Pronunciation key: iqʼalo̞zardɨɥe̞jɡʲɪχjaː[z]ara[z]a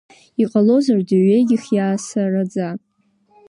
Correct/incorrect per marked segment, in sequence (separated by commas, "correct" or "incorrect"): incorrect, incorrect